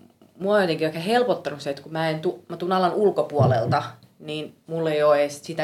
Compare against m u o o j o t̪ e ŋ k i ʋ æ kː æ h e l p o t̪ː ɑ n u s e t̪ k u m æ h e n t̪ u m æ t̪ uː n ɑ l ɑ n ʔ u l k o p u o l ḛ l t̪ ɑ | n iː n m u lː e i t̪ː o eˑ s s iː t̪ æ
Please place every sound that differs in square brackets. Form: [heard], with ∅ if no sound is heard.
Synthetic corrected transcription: m u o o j o t̪ e ŋ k i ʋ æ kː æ h e l p o t̪ː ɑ n u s e t̪ k u m æ [∅] e n t̪ u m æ t̪ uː n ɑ l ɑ n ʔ u l k o p u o l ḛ l t̪ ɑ | n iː n m u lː e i [∅] o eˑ s s [i] t̪ æ